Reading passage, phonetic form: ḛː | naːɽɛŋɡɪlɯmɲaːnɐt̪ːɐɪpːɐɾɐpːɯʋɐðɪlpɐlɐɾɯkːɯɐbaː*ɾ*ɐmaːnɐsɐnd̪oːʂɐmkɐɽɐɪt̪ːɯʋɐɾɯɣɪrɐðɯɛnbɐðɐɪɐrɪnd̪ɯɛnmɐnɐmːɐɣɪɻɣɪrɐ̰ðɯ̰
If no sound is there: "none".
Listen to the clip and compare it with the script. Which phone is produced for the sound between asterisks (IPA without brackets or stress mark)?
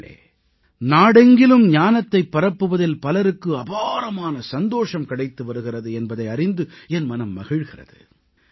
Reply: ɾ